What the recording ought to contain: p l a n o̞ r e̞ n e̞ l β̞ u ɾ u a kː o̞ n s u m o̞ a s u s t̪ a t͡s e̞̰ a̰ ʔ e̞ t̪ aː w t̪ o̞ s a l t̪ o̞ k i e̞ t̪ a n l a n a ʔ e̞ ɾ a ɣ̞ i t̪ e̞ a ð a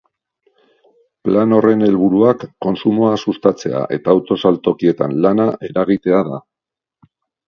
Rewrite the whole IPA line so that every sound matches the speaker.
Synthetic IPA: p l a n o̞ r e̞ n e̞ l β̞ u ɾ u a kː o̞ n s u m o̞ a s u s t̪ a t͡s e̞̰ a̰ ʔ e̞ t̪ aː w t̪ o̞ s a l t̪ o̞ k i e̞ t̪ a n l a n a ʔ e̞ ɾ a ɣ̞ i t̪ e̞ a ð a